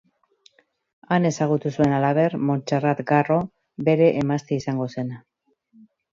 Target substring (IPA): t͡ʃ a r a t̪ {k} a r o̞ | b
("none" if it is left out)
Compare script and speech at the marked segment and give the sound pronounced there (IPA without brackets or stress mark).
ɡ